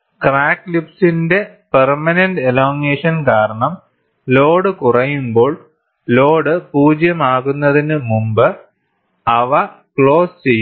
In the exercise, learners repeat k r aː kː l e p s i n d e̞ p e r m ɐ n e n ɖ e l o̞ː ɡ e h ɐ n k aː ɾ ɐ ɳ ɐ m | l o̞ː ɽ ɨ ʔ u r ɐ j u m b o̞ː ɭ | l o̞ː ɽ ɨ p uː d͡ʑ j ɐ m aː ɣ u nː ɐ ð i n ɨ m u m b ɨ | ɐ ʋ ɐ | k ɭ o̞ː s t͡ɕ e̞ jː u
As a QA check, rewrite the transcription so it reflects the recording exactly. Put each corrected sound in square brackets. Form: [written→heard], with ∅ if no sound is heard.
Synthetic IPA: k r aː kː l [e→i] p s i n d e̞ p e r m ɐ n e n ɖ e l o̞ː [ɡ→ŋ] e [h→ʂ] ɐ n k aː ɾ ɐ ɳ ɐ m | l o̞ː ɽ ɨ [ʔ→k] u r ɐ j u m b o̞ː ɭ | l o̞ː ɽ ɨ p uː d͡ʑ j ɐ m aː ɣ u nː ɐ ð i n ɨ m u m b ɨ | ɐ ʋ ɐ | k ɭ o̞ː s t͡ɕ e̞ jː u